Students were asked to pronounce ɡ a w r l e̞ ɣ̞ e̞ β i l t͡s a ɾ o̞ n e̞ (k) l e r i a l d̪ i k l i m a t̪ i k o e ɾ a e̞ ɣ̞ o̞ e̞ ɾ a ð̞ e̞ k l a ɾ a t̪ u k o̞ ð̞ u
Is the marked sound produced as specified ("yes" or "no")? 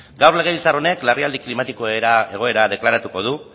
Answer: yes